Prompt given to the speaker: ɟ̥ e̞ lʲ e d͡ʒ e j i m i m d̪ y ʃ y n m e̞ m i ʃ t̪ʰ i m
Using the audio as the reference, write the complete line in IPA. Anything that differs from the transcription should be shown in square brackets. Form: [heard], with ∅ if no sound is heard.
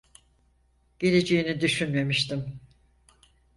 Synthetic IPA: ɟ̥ e̞ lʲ e d͡ʒ e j i [n] i [∅] d̪ y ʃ y n m e̞ m i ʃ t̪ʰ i m

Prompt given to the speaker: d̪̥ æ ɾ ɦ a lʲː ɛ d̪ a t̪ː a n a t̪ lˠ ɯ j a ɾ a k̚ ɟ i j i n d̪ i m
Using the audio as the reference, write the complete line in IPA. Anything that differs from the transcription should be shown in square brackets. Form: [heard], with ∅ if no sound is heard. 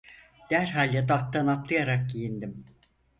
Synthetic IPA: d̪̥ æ ɾ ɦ a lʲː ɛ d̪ a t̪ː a n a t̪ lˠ ɯ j a ɾ a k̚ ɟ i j i n d̪ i m

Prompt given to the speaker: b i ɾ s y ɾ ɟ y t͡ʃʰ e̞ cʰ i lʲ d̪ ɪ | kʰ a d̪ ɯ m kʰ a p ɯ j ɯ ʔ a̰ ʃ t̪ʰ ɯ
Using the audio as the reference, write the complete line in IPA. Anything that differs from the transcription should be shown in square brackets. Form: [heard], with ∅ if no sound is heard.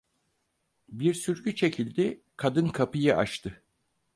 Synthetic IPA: b i ɾ s y ɾ ɟ y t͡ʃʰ e̞ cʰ i lʲ d̪ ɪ | kʰ a d̪ ɯ [n] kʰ a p ɯ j ɯ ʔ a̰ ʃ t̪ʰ ɯ

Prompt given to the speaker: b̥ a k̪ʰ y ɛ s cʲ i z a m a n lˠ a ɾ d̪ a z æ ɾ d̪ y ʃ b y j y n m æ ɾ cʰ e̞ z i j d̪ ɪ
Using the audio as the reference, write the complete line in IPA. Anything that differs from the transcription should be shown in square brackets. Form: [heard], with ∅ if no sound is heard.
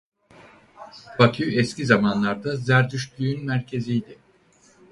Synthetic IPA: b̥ a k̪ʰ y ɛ s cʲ i z a m a n lˠ a ɾ d̪ a z æ ɾ d̪ y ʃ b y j y n m æ ɾ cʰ e̞ z i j d̪ ɪ

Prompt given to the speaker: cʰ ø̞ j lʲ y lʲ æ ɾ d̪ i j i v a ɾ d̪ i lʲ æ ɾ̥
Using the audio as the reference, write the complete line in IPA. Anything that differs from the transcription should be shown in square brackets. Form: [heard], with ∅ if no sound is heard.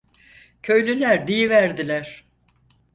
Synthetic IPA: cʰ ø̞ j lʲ y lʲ æ ɾ d̪ i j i v [æ] ɾ d̪ i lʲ æ ɾ̥

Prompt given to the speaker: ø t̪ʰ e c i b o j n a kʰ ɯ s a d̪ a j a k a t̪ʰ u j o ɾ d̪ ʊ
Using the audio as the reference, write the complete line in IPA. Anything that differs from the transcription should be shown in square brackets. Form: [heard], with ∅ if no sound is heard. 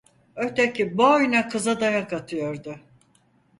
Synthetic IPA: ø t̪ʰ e c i b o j n a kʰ ɯ [z] a d̪ a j a k a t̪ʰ [ɯ] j o ɾ d̪ ʊ

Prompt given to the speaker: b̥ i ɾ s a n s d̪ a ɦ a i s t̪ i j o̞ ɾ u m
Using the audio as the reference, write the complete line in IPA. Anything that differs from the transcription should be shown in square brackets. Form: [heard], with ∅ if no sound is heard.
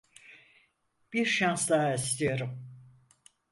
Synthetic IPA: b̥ i ɾ [ʃ] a n s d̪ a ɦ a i s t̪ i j o̞ ɾ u m

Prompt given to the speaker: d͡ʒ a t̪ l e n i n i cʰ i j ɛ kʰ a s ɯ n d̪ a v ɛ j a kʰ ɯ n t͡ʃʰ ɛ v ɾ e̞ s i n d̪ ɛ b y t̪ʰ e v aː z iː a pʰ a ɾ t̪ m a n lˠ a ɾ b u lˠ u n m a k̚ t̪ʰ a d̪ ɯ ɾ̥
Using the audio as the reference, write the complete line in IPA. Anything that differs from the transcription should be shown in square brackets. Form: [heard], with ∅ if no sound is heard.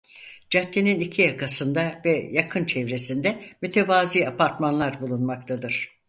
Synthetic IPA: d͡ʒ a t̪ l e n i n i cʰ i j [a] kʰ a s ɯ n d̪ a v ɛ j a kʰ ɯ n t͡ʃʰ ɛ v ɾ e̞ s i n d̪ ɛ [m] y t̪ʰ e v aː z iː a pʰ a ɾ t̪ m a n lˠ a ɾ b u lˠ u n m a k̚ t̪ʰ a d̪ ɯ ɾ̥

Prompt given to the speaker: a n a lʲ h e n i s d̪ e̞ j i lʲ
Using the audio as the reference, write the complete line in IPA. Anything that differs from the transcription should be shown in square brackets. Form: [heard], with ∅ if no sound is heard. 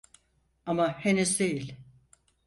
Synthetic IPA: a [m] a [∅] h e n [y] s d̪ e̞ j i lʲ

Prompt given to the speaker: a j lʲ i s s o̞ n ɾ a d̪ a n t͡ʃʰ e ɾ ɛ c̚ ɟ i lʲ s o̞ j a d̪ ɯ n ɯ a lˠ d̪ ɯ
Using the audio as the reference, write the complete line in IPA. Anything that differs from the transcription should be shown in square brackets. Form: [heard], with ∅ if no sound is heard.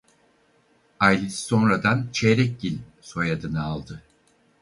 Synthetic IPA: a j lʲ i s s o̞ n ɾ a d̪ a n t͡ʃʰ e ɾ ɛ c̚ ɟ i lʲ s o̞ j a d̪ ɯ n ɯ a lˠ d̪ ɯ

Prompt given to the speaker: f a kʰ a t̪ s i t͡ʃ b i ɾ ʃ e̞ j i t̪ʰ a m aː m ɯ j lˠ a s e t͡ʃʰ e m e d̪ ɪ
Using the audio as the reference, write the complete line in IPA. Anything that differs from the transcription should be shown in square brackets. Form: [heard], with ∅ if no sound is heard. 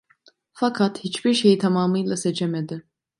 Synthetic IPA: f a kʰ a t̪ [h] i t͡ʃ b i ɾ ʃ e̞ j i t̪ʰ a m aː m ɯ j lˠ a s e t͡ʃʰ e m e d̪ ɪ

